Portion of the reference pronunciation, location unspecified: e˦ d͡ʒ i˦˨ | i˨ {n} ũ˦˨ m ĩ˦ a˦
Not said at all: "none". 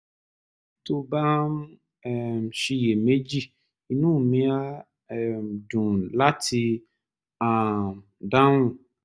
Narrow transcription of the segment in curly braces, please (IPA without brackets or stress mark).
n